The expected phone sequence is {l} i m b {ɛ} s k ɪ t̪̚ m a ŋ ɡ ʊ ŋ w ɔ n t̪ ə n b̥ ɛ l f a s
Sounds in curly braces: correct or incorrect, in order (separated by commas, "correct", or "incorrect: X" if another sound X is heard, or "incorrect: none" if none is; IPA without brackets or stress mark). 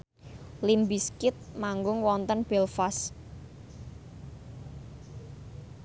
correct, incorrect: i